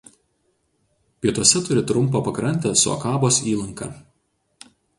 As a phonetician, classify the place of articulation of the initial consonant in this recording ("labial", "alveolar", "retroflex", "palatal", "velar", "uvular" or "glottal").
labial